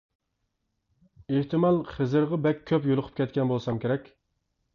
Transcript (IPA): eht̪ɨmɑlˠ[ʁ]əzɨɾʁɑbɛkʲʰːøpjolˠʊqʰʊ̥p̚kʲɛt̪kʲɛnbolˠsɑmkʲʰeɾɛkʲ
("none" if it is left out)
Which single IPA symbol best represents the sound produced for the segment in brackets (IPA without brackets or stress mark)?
χ